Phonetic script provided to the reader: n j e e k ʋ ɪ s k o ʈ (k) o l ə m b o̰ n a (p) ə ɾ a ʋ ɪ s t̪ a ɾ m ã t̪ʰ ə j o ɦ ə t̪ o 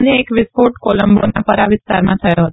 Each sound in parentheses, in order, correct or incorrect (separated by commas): correct, correct